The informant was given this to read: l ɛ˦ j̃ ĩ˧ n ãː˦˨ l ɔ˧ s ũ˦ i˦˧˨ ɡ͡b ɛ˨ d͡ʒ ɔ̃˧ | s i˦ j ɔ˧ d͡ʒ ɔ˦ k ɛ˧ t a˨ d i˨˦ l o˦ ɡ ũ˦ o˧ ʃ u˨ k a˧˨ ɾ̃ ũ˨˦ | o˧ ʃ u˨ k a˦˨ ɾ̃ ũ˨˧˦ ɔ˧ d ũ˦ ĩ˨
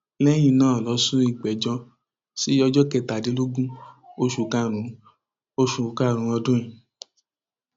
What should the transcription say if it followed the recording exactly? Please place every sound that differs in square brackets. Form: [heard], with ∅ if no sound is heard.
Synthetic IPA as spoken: l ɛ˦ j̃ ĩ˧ n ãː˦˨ l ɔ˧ s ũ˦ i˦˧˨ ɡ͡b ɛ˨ d͡ʒ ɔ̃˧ | s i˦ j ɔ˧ d͡ʒ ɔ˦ k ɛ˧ t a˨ d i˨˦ l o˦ ɡ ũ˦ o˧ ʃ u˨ k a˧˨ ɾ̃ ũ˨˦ | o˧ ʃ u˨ k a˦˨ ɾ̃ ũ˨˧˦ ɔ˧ d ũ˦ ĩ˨